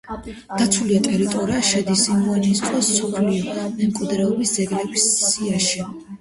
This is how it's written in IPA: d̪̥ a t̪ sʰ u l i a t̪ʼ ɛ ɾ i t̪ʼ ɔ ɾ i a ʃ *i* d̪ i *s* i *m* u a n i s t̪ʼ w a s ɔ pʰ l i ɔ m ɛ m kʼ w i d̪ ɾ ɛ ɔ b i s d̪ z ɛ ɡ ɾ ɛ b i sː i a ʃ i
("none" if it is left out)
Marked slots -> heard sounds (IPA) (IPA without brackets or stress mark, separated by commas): ɛ, s, m